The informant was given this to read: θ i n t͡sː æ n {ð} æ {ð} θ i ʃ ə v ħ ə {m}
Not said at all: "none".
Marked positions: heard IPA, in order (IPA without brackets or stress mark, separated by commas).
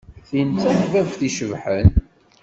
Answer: v, v, n